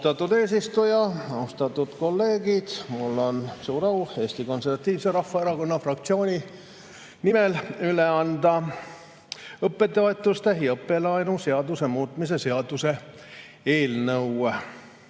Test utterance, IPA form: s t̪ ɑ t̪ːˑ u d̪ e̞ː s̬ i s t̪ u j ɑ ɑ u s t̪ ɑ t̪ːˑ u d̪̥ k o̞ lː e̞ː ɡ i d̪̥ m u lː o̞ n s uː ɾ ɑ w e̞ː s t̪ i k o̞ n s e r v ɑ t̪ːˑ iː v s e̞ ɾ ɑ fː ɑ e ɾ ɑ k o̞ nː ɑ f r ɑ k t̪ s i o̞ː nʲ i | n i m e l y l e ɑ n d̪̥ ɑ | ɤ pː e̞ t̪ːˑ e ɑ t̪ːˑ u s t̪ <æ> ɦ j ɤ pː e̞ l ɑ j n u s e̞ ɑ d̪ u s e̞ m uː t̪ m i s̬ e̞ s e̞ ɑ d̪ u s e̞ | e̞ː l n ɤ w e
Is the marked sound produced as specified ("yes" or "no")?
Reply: no